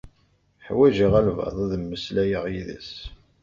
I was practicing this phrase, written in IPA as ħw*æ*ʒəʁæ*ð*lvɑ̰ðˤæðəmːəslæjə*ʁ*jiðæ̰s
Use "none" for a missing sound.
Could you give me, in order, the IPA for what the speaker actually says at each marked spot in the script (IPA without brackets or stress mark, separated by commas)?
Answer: æ, none, ʁ